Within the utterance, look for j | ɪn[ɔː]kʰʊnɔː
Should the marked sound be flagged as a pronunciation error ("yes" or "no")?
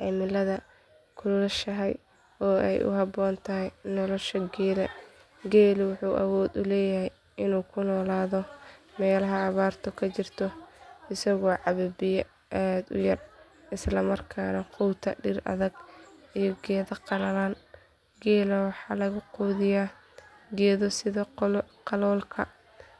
yes